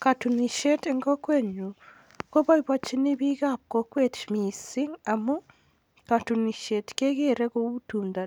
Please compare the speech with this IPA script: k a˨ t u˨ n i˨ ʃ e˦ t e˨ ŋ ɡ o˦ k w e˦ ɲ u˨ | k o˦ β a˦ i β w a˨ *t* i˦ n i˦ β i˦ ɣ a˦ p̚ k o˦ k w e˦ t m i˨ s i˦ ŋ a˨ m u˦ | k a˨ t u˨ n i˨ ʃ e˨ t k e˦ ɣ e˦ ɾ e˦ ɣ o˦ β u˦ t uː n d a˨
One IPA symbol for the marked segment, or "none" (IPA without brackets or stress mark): t͡ʃ